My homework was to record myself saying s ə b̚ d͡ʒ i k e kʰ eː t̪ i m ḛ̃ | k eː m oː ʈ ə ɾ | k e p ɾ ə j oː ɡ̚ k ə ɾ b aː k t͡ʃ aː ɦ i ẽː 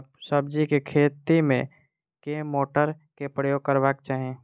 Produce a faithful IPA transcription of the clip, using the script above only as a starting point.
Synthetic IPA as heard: s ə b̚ d͡ʒ i k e kʰ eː t̪ i m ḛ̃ | k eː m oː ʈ ə ɾ | k e p ɾ ə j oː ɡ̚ k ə ɾ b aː k t͡ʃ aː ɦ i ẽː